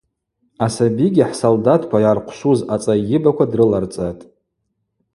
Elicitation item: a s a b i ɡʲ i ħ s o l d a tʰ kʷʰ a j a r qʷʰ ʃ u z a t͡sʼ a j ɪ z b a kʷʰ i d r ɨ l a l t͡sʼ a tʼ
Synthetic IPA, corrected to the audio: a s a b i ɡʲ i ħ s o l d a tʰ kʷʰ a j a r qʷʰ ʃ u z a t͡sʼ a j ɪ b a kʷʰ a d r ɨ l a r t͡sʼ a tʼ